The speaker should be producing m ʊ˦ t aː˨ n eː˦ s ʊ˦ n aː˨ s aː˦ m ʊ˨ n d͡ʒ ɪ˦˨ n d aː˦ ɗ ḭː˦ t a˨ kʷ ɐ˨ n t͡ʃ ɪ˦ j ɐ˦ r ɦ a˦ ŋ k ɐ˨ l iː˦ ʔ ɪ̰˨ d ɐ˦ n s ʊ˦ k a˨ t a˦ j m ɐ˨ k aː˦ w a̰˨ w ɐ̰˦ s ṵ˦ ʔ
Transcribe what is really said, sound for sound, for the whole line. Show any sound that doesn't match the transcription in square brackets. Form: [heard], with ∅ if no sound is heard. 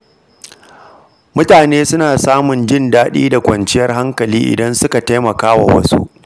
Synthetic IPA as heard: m ʊ˦ t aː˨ n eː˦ s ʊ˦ n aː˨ s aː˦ m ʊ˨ n d͡ʒ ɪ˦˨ n d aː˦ ɗ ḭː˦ [d] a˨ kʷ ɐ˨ n t͡ʃ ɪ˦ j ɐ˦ r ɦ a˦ ŋ k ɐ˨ l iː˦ ʔ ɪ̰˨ d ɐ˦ n s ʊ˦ k a˨ t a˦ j m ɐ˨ k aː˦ w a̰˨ w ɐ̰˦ s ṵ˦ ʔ